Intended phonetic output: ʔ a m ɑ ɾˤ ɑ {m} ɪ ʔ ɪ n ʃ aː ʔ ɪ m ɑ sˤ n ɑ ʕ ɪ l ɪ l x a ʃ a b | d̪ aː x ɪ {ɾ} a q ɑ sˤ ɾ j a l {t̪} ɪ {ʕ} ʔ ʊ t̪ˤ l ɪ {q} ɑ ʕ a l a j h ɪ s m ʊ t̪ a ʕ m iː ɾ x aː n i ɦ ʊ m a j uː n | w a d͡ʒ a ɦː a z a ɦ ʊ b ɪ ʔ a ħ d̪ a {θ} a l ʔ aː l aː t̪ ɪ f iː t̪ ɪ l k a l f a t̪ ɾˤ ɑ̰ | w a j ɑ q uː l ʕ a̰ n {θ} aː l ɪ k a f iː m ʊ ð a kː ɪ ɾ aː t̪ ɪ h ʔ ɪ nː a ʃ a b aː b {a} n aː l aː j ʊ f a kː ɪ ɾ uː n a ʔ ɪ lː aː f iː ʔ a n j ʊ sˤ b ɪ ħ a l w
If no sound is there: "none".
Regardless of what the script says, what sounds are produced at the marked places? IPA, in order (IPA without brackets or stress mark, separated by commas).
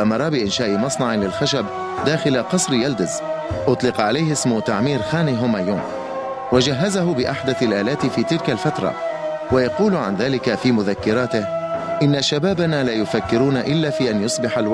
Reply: b, l, d̪, z, q, θ, ð, a